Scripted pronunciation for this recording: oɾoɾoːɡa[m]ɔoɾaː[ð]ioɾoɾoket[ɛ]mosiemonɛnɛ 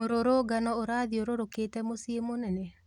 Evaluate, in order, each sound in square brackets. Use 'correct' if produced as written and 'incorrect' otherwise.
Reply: incorrect, correct, correct

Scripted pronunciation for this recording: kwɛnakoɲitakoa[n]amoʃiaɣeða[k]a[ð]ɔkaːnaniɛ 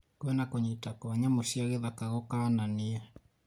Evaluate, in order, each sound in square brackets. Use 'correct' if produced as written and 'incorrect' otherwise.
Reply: incorrect, correct, incorrect

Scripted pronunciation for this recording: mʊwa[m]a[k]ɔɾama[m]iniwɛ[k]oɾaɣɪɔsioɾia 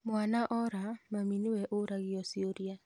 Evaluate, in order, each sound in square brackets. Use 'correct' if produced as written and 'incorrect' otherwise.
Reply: incorrect, incorrect, correct, incorrect

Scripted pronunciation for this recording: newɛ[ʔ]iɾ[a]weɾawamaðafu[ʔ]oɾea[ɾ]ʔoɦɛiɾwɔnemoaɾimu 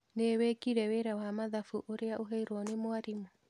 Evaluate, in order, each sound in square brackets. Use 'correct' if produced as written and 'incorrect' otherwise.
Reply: incorrect, incorrect, correct, incorrect

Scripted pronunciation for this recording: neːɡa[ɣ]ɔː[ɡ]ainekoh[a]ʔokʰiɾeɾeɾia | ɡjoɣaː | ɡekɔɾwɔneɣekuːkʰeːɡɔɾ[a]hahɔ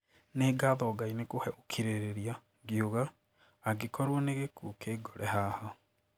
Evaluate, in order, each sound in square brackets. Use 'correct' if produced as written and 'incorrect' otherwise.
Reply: incorrect, correct, incorrect, incorrect

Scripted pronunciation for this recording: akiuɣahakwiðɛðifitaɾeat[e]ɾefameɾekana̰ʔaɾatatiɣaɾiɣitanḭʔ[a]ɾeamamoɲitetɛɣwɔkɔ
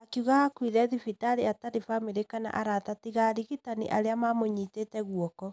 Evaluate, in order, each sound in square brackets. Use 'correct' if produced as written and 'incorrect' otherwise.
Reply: incorrect, correct

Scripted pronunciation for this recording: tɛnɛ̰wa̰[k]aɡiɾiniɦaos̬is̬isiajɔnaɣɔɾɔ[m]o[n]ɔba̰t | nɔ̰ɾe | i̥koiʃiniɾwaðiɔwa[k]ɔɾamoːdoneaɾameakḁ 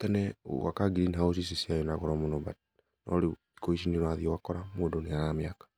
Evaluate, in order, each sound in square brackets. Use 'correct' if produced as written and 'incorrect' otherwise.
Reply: correct, correct, correct, correct

